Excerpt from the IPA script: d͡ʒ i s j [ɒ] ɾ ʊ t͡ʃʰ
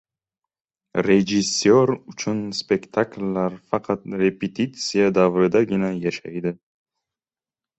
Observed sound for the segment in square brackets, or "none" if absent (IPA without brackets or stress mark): o